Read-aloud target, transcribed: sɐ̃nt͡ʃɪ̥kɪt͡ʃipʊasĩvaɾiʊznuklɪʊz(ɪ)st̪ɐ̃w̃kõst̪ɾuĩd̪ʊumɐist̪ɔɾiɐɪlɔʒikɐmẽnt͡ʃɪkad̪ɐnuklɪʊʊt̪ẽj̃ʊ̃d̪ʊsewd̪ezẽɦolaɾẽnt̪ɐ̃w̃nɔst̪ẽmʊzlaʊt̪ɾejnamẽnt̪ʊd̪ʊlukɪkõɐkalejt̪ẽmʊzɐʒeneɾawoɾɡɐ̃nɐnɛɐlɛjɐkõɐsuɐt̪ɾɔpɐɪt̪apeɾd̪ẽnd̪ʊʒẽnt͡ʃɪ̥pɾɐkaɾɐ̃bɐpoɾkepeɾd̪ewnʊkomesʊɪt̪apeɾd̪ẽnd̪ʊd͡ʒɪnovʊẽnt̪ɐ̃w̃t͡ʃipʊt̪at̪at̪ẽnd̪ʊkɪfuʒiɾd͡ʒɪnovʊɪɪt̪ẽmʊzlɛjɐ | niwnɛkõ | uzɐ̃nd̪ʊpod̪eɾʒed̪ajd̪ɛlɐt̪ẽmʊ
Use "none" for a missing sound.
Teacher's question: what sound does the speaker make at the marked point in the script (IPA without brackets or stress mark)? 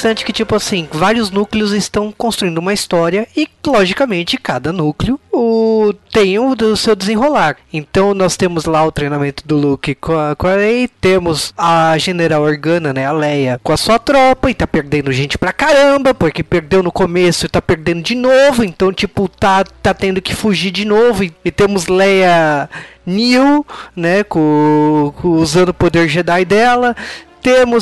ɪ